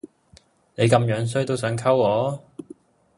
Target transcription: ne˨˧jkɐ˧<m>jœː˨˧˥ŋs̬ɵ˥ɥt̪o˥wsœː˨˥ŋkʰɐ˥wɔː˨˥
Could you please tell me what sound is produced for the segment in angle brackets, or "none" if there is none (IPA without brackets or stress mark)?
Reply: m